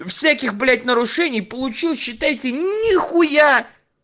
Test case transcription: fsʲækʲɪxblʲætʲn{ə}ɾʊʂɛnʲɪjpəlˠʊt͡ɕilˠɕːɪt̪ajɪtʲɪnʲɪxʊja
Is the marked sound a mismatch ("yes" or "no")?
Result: no